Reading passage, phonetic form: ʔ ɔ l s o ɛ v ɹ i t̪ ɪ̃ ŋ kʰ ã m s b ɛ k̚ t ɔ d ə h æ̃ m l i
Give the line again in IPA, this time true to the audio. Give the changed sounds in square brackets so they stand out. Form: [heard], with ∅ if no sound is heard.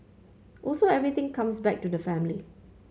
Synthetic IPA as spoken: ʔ ɔ l s o ɛ v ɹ i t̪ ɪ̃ ŋ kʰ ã m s b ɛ k̚ t [u] d ə [f] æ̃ m l i